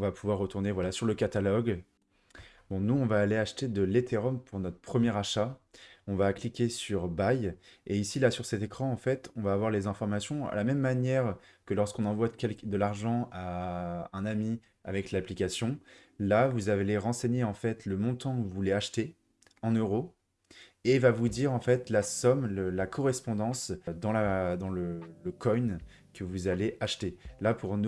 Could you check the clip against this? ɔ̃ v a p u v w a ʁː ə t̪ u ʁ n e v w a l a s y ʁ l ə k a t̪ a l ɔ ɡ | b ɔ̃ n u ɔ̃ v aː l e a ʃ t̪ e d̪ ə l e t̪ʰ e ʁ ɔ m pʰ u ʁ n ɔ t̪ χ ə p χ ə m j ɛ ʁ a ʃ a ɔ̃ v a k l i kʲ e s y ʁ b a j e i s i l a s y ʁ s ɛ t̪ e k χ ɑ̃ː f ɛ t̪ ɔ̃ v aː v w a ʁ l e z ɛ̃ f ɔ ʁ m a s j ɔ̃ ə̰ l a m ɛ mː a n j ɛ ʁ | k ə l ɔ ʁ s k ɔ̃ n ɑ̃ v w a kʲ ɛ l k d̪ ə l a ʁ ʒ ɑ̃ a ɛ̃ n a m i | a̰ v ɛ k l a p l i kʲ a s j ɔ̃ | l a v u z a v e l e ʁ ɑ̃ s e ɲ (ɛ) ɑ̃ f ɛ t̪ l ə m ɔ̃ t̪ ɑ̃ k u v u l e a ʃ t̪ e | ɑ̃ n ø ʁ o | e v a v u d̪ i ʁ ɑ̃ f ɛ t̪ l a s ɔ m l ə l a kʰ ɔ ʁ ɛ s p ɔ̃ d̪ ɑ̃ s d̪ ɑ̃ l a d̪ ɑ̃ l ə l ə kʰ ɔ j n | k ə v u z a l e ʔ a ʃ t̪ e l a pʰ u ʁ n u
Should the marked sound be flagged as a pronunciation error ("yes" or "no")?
yes